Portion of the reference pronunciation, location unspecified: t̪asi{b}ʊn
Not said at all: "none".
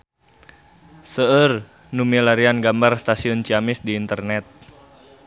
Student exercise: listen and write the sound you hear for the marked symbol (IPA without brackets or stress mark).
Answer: none